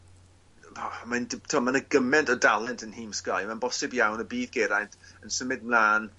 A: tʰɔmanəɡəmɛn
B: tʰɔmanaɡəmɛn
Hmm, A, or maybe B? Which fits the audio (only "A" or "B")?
A